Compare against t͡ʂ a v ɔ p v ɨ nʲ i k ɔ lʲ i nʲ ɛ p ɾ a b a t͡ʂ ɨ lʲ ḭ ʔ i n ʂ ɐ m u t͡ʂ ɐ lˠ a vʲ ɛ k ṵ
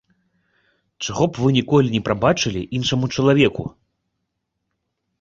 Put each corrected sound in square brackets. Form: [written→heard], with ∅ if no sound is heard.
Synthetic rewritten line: t͡ʂ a [v→ɣ] ɔ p v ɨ nʲ i k ɔ lʲ i nʲ ɛ p ɾ a b a t͡ʂ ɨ lʲ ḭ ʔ i n ʂ ɐ m u t͡ʂ ɐ lˠ a vʲ ɛ k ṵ